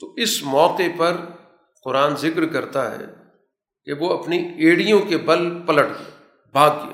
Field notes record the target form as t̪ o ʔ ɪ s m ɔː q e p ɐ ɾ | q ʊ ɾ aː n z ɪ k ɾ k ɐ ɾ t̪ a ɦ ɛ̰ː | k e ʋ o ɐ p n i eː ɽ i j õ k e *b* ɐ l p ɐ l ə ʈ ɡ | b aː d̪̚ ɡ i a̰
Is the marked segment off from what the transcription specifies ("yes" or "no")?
no